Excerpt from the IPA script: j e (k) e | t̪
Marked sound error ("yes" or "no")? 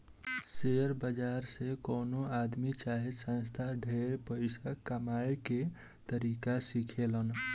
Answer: no